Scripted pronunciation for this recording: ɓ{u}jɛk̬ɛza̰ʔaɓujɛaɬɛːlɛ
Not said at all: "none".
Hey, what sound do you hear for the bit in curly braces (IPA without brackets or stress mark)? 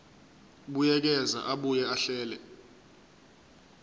u